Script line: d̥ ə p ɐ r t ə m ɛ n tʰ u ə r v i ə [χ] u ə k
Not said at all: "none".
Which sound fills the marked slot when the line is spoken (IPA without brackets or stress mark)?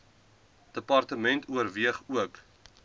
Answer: χ